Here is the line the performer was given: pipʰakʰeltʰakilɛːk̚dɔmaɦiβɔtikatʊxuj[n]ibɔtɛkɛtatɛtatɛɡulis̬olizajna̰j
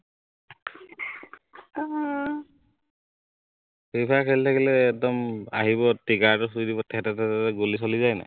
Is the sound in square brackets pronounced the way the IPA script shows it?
no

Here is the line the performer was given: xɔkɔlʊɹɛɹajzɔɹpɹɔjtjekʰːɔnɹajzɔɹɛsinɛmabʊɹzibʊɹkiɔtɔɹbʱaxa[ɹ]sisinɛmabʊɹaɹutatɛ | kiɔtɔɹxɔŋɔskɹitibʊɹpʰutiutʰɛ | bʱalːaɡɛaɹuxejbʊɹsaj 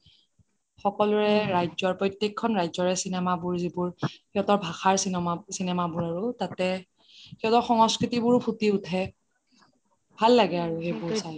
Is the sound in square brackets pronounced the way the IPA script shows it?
yes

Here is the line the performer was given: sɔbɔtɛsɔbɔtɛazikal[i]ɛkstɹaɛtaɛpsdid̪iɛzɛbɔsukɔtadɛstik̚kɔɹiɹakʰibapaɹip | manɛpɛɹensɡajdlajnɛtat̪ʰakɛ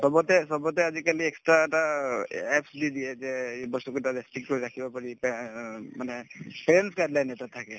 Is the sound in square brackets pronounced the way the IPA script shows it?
yes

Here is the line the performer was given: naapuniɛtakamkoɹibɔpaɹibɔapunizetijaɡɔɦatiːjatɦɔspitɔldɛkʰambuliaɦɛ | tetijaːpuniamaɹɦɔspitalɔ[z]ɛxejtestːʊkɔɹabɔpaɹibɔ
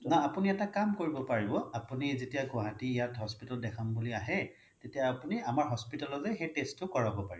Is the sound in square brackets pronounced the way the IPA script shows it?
yes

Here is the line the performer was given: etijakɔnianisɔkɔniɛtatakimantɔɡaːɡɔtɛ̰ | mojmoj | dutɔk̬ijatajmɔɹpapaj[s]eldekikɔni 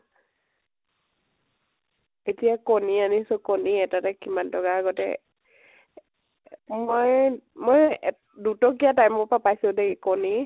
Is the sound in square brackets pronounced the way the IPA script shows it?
yes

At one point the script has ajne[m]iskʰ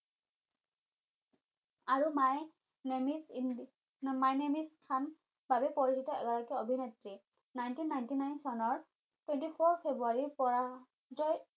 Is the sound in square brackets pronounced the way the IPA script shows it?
yes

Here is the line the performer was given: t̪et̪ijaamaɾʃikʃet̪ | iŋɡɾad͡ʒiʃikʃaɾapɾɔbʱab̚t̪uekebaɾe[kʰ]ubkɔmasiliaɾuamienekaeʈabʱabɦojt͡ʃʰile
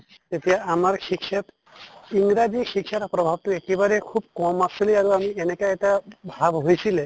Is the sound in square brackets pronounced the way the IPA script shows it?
yes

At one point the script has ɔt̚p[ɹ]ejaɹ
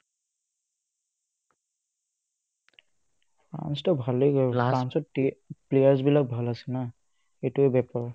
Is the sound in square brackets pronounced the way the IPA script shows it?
no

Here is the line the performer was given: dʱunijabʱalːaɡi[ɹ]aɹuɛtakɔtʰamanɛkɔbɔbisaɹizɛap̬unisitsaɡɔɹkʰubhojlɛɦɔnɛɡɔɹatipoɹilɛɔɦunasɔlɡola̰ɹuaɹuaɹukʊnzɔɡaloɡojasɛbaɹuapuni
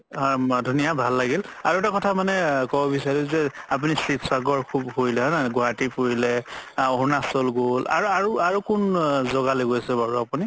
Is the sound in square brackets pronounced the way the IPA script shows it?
no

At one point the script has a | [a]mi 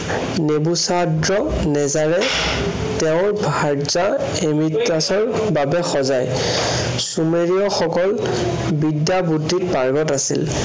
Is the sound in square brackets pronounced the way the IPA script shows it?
no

